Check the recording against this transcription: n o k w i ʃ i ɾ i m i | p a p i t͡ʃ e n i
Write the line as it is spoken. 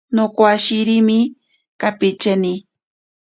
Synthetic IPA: n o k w a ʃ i ɾ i m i | k a p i t͡ʃ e n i